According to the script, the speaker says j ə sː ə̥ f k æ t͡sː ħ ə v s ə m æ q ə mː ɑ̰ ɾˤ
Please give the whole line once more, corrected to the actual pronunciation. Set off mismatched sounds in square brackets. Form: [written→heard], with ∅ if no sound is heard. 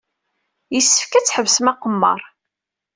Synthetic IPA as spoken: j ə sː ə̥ f k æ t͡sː ħ ə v s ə m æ q ə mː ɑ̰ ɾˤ